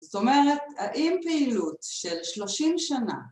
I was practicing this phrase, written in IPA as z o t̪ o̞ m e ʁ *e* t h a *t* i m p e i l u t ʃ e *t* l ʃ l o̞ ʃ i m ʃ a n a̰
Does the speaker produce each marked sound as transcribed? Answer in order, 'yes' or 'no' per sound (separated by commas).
yes, no, no